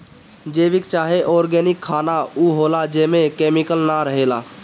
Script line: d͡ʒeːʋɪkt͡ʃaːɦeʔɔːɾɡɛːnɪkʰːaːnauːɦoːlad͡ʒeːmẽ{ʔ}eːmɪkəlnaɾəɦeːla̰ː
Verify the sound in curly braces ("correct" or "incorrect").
incorrect